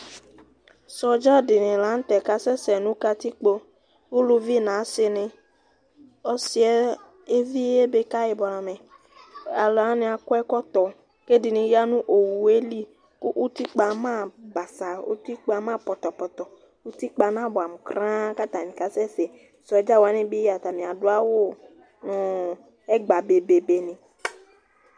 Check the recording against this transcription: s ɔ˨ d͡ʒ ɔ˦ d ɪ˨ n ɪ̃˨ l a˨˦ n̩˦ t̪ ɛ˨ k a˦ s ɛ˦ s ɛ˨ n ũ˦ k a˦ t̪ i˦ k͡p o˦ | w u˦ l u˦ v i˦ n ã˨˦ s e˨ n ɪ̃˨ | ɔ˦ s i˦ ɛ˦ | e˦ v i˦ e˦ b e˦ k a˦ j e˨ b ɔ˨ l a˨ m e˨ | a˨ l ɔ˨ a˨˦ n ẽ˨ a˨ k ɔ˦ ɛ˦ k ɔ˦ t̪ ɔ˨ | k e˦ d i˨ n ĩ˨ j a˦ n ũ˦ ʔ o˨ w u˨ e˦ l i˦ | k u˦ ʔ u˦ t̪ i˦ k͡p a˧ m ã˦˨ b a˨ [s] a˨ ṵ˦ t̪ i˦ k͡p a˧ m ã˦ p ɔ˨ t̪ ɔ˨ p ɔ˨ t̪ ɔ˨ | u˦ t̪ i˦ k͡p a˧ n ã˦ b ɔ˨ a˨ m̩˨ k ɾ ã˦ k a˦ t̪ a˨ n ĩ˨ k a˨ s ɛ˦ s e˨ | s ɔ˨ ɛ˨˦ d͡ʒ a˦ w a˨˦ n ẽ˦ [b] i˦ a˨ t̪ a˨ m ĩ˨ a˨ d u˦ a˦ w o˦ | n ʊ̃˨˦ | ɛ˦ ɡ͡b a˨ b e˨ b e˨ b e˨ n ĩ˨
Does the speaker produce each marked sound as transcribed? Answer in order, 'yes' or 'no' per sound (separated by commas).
yes, yes